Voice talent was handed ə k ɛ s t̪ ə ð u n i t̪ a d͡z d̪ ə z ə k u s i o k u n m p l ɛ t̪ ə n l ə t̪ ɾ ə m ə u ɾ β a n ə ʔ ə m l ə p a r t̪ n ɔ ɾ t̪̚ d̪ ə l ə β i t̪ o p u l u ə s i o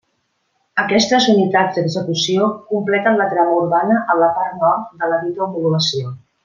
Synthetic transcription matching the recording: ə k ɛ s t̪ ə z u n i t̪ a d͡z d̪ ə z ə k u s i o k u m p l ɛ t̪ ə n l ə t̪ ɾ a m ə u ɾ β a n ə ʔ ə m l ə p a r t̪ n ɔ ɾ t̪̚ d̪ ə l ə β i t̪ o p u l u ə s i o